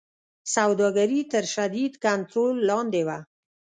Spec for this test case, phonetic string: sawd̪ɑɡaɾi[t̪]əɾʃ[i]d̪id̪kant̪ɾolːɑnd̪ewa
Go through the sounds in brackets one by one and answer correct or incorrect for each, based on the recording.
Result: correct, incorrect

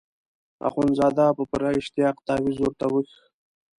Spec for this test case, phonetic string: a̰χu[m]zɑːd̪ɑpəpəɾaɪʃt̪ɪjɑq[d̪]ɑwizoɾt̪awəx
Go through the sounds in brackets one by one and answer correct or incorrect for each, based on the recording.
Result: incorrect, incorrect

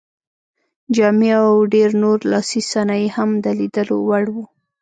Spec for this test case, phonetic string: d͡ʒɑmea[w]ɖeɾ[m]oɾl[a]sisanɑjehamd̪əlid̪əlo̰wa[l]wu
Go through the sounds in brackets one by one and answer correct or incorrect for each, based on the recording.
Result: correct, incorrect, incorrect, incorrect

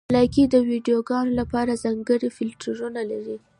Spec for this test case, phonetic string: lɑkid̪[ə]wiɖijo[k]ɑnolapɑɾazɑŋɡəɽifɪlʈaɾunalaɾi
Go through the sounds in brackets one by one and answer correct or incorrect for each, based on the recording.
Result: correct, incorrect

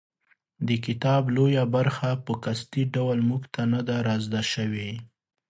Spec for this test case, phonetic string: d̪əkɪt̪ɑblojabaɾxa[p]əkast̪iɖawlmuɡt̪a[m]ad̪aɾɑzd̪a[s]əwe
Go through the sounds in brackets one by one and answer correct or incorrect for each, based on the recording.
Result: correct, incorrect, incorrect

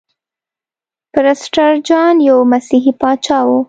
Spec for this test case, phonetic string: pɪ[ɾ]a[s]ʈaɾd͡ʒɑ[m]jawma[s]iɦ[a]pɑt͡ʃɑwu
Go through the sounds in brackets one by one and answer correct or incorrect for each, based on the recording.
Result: correct, correct, incorrect, correct, incorrect

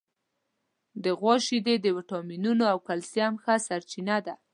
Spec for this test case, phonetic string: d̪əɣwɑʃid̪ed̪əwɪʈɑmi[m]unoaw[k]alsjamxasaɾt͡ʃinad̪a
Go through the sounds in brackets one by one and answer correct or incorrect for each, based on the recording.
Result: incorrect, correct

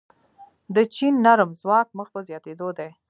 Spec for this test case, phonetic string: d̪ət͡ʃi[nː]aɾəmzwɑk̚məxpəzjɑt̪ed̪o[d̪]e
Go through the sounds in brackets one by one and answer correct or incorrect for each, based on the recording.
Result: correct, correct

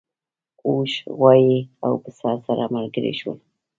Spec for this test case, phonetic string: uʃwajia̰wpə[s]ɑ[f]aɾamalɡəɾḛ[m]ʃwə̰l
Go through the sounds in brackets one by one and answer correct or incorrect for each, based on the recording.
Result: correct, incorrect, incorrect

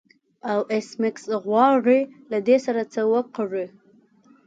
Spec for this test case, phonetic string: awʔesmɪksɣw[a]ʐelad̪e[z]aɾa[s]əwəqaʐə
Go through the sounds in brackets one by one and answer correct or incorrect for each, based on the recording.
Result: incorrect, incorrect, incorrect

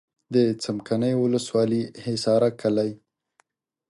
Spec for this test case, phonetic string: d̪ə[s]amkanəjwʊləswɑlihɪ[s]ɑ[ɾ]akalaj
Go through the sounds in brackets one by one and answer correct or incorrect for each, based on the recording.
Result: incorrect, correct, correct

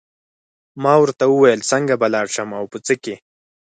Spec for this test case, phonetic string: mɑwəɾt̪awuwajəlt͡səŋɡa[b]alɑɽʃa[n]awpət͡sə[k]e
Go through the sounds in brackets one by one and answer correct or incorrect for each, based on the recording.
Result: correct, incorrect, correct

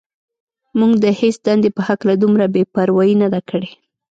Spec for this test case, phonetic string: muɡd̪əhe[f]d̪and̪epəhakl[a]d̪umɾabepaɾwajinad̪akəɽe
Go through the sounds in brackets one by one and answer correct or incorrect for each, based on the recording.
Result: incorrect, correct

